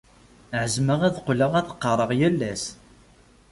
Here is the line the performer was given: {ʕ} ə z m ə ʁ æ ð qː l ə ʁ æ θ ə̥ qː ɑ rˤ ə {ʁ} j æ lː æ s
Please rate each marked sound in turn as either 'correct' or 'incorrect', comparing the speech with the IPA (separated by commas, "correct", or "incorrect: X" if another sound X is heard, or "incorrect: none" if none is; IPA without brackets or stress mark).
correct, correct